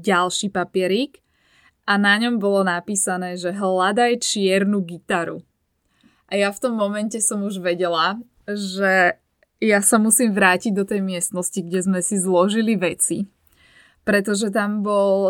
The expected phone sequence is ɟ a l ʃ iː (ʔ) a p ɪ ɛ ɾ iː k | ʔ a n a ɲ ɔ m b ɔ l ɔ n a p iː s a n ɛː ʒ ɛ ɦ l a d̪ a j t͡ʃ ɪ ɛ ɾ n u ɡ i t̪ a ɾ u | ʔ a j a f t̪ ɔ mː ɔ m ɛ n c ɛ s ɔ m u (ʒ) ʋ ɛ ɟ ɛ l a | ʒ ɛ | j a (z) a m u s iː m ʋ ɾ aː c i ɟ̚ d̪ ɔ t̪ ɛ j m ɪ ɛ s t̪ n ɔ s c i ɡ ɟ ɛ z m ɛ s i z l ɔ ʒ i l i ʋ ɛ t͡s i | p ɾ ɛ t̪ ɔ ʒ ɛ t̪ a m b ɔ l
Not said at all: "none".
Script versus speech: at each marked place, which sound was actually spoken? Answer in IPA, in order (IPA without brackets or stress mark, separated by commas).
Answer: p, ʒ, s